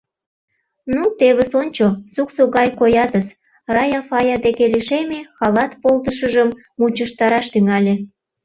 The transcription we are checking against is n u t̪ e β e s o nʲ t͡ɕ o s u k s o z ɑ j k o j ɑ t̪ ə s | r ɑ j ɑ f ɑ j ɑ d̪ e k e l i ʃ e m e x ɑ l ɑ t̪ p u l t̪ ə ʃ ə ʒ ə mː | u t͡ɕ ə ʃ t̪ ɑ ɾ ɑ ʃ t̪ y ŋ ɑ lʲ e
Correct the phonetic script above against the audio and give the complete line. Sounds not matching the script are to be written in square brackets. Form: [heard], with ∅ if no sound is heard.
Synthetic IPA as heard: n u t̪ e β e s o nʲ t͡ɕ o s u k s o [ɣ] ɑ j k o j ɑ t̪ ə s | r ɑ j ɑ f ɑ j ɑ d̪ e k e l i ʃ e m e x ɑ l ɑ t̪ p [o] l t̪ ə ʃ ə ʒ ə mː | u t͡ɕ ə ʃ t̪ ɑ ɾ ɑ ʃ t̪ y ŋ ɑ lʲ e